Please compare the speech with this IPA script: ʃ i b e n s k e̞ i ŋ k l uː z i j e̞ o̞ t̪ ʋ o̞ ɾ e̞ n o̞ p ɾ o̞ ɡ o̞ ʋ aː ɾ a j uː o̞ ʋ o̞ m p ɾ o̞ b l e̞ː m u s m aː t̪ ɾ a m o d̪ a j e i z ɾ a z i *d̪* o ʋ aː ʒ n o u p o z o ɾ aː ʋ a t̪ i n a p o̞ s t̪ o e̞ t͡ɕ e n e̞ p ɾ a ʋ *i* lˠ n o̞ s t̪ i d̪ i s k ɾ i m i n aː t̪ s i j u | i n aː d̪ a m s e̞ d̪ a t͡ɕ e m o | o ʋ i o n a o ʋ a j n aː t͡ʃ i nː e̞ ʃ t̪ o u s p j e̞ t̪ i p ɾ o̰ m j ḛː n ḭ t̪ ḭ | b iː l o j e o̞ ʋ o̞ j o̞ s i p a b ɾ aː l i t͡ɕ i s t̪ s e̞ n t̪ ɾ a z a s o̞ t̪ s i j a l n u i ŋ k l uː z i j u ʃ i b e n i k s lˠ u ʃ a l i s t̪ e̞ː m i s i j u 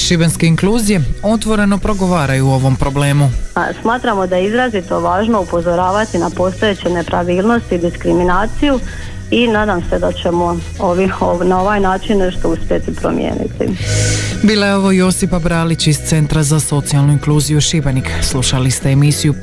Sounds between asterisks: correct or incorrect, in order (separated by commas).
incorrect, incorrect